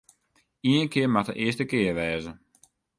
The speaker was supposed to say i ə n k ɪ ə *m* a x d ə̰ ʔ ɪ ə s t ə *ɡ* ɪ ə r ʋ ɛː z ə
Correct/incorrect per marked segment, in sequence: correct, incorrect

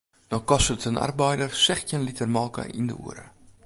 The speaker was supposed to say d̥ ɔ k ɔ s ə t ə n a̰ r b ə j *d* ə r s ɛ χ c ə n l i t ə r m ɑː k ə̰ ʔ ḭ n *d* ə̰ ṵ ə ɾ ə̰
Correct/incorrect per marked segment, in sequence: correct, correct

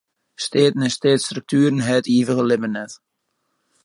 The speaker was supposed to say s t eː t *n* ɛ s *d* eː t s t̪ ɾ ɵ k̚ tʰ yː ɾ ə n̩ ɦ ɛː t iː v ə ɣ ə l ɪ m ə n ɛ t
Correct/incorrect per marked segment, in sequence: correct, incorrect

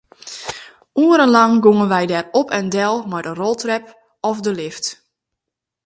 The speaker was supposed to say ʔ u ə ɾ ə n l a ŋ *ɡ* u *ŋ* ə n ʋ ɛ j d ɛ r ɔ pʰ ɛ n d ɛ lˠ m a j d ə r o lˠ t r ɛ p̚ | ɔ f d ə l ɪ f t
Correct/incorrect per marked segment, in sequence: correct, correct

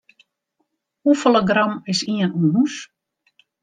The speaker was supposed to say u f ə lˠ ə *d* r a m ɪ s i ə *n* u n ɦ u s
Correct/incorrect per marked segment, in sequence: incorrect, correct

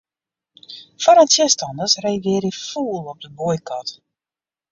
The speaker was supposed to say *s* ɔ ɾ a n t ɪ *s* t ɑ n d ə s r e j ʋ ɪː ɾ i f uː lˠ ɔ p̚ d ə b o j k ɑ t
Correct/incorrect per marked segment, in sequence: incorrect, correct

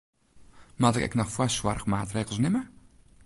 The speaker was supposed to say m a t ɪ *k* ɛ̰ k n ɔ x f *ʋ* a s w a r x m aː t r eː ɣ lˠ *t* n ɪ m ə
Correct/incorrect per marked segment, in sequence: correct, incorrect, incorrect

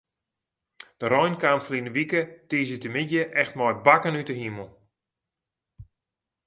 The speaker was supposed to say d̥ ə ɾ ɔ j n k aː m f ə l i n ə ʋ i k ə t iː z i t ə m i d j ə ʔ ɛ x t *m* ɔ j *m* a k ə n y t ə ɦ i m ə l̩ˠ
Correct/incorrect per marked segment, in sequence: correct, incorrect

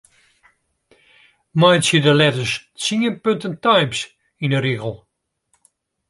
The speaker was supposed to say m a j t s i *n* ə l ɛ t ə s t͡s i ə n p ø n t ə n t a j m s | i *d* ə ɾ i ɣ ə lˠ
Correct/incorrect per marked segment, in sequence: incorrect, incorrect

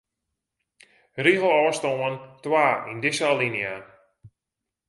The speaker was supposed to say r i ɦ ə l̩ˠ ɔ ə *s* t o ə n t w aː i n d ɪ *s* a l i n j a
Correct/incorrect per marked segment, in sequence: correct, correct

